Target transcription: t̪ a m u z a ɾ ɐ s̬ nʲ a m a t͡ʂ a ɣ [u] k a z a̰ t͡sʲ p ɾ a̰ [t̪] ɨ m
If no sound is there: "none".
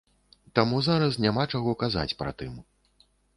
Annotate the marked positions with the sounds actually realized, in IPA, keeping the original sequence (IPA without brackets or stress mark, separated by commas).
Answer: ɔ, t̪